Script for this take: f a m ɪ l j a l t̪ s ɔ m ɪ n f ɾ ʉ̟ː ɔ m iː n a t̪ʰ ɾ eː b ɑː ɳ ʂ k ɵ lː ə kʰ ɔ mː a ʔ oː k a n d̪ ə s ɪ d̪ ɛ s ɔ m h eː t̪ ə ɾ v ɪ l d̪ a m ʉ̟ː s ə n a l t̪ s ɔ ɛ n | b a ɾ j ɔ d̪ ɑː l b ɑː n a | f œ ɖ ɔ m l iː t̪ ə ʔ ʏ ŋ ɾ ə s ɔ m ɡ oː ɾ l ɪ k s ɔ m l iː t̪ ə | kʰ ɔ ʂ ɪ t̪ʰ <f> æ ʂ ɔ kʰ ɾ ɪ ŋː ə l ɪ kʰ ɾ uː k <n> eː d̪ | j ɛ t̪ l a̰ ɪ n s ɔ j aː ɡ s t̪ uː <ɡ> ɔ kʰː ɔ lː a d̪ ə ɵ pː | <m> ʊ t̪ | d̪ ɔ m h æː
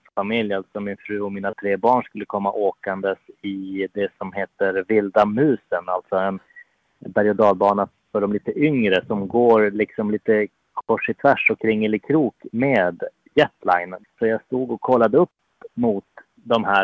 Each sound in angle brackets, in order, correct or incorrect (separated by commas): incorrect, incorrect, correct, correct